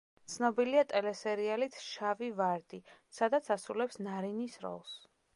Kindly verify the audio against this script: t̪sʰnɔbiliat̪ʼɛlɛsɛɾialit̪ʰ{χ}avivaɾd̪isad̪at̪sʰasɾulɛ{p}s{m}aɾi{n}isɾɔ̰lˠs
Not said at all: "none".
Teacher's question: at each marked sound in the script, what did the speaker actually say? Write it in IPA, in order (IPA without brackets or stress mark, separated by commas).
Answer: ʃ, p, n, n